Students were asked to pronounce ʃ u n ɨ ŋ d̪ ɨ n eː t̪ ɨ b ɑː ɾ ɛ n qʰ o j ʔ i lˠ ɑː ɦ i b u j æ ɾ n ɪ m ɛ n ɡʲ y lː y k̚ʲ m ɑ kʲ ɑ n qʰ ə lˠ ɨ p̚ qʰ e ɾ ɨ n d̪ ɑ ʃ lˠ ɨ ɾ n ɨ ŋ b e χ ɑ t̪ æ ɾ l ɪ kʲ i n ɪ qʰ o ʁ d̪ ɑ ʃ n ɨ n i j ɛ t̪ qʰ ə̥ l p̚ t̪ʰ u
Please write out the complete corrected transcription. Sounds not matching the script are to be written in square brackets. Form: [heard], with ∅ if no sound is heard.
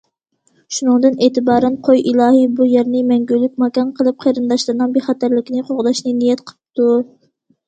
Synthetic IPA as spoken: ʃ u n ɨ ŋ d̪ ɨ n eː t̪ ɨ b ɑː ɾ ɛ n qʰ o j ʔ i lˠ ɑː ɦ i b u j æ ɾ n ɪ m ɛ [ŋ] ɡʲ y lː y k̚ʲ m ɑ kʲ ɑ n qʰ ə lˠ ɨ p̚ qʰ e ɾ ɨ n d̪ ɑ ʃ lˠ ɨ ɾ n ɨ ŋ b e χ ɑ t̪ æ ɾ l ɪ kʲ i n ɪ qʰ o ʁ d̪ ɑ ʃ n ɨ n i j ɛ t̪ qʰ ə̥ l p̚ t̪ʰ u